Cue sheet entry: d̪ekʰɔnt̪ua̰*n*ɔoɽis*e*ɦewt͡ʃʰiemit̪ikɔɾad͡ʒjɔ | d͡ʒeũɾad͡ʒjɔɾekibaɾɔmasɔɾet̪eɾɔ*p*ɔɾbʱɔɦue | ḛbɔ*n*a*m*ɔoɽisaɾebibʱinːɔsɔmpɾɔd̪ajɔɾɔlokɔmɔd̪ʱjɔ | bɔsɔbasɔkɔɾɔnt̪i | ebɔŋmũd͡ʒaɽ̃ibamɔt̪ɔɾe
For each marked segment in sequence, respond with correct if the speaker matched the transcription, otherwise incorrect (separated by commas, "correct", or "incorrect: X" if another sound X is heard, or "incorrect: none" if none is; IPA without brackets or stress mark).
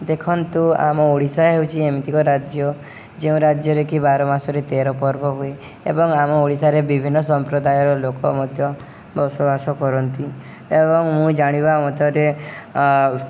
incorrect: m, incorrect: a, correct, incorrect: ŋ, correct